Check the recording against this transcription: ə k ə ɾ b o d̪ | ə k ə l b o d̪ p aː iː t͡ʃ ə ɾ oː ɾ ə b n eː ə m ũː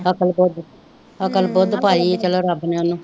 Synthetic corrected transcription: ə k ə l b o d̪ | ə k ə l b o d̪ p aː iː t͡ʃ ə l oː ɾ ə b n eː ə n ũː